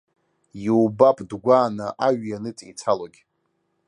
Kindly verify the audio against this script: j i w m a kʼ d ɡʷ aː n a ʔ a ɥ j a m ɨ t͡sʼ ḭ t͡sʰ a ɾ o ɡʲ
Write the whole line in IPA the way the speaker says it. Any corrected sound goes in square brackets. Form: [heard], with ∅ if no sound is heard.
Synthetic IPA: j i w [b] a [pʼ] d ɡʷ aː n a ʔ a ɥ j a [n] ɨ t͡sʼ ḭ t͡sʰ a [l] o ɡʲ

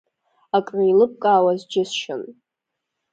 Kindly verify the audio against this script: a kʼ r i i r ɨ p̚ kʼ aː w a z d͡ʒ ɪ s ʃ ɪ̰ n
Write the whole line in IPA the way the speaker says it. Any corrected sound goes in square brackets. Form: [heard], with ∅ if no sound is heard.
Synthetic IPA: a kʼ r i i [l] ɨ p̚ kʼ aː w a z d͡ʒ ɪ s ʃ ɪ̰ n

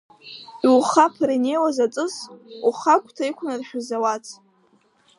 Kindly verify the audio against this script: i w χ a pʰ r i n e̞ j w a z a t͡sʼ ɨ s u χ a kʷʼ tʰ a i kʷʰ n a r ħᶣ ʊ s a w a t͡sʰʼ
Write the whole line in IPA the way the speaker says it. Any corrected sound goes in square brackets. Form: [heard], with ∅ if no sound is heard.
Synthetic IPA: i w χ a pʰ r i n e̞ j w a z a t͡sʼ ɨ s u χ a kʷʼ tʰ a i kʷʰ n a r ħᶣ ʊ [z] a w a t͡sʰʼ

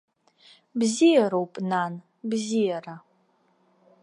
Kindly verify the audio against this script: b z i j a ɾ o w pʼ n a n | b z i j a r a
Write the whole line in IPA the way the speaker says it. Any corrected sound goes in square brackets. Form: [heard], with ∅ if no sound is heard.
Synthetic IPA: b z i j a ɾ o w pʼ n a n | b z i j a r a

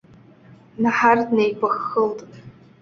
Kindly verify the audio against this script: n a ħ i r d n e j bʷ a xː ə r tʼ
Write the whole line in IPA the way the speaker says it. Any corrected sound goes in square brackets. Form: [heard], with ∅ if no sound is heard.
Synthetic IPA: n a ħ [a] r d n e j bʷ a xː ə [l] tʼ

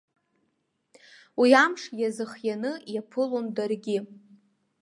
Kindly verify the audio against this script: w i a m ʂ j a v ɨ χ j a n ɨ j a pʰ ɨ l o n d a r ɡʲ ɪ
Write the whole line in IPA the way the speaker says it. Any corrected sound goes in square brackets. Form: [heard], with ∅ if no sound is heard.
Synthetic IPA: w i a m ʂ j a [z] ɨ χ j a n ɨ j a pʰ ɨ l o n d a r ɡʲ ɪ

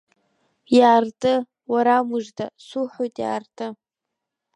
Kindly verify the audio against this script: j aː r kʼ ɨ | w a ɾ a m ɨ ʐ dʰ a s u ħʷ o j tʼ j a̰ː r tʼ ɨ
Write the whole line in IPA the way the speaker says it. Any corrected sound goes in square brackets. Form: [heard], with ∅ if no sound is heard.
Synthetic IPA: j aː r [tʼ] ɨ | w a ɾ a m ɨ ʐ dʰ a s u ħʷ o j tʼ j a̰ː r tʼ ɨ

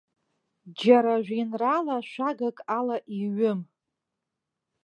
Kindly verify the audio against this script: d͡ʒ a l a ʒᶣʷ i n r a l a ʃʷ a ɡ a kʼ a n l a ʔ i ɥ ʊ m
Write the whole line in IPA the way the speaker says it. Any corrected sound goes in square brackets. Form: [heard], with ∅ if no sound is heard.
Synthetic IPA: d͡ʒ a [ɾ] a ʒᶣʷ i n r a l a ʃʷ a ɡ a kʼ a [∅] l a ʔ i ɥ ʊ m

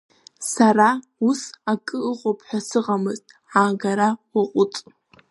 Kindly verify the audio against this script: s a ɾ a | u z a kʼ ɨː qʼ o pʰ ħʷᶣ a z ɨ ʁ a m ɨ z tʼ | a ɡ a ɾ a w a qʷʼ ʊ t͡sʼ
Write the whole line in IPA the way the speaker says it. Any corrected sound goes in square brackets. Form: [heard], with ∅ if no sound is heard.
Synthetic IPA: s a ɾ a | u [s] a kʼ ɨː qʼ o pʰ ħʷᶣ a [s] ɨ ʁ a m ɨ z tʼ | a ɡ a ɾ a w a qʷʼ ʊ t͡sʼ

